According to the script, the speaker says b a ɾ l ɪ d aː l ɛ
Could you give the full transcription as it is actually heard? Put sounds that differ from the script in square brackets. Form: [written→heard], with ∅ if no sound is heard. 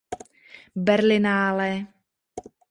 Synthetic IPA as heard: b [a→ɛ] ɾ l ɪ [d→n] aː l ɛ